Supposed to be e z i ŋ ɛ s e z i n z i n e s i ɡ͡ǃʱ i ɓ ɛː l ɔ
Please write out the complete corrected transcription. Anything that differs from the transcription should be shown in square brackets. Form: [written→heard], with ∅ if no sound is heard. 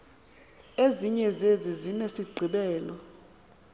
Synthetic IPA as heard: e z i [ŋ→ɲ] ɛ [s→z] e z i [n→∅] z i n e s i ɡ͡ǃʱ i ɓ ɛː l ɔ